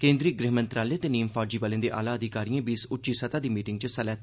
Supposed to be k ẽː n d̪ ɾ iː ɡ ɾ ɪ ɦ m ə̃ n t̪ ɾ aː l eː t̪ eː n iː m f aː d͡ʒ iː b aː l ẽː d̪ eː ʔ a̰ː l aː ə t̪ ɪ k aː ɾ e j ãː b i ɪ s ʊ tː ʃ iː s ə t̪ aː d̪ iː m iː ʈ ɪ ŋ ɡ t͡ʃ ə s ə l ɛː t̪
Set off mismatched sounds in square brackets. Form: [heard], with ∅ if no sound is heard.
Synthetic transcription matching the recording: k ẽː n d̪ ɾ iː ɡ ɾ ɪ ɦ m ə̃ n t̪ ɾ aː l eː t̪ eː n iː m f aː d͡ʒ iː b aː l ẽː d̪ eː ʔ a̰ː l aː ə [d̪] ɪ k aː ɾ [i] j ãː b i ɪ s ʊ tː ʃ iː s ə t̪ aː d̪ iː m iː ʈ ɪ ŋ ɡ t͡ʃ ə s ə l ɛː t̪